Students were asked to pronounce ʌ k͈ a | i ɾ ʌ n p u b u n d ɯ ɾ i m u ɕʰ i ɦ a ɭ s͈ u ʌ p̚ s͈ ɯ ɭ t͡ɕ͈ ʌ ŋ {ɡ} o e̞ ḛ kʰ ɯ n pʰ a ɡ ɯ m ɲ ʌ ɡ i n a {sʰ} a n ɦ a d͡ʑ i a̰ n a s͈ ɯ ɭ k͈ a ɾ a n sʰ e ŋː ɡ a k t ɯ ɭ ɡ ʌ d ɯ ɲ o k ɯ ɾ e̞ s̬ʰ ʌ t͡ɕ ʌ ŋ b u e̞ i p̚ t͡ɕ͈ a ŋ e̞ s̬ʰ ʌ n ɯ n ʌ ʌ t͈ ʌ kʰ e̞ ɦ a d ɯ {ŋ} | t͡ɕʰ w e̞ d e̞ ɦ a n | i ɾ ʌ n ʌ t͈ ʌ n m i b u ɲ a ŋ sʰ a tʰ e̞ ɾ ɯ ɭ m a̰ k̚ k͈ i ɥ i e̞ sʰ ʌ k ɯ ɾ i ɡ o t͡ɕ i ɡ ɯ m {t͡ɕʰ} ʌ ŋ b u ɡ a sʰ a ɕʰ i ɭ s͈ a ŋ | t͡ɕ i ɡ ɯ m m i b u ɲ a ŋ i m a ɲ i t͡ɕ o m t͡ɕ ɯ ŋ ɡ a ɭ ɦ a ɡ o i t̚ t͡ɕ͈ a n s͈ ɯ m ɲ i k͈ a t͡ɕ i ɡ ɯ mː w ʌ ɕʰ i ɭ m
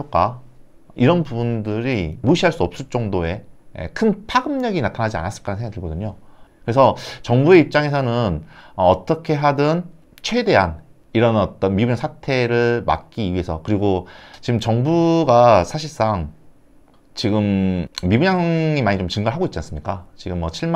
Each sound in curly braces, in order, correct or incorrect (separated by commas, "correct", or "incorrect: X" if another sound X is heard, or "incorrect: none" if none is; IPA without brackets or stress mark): incorrect: d, incorrect: tʰ, incorrect: n, incorrect: t͡ɕ